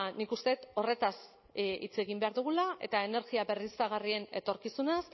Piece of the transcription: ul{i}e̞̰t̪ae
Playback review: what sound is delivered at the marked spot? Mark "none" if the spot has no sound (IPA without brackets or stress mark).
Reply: a